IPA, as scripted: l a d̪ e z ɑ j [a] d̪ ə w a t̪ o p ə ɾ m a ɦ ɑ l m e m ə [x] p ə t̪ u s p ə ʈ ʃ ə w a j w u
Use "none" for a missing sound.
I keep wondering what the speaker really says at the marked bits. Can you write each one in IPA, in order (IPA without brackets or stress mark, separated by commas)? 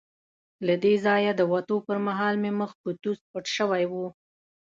a, x